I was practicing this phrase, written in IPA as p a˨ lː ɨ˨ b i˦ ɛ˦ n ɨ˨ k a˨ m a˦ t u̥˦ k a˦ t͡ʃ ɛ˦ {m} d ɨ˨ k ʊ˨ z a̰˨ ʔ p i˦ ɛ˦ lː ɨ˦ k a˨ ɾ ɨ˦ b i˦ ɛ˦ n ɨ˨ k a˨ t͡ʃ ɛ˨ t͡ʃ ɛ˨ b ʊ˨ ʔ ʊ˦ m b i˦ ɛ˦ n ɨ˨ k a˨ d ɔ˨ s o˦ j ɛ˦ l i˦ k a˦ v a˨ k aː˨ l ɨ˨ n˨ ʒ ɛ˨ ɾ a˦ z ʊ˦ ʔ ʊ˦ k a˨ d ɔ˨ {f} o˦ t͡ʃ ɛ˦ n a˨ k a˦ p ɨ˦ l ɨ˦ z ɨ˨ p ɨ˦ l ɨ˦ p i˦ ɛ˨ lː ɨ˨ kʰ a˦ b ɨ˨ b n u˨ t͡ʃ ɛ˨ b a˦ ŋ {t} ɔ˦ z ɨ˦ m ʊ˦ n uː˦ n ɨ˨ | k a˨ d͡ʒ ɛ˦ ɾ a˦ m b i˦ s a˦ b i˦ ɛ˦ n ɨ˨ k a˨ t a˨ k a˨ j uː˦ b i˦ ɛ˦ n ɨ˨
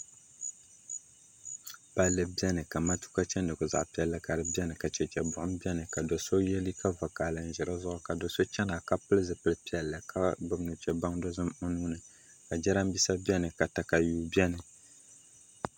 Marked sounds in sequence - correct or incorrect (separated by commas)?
incorrect, incorrect, incorrect